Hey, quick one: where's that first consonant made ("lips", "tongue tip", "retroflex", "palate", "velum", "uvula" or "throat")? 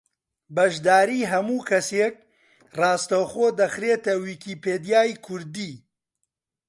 lips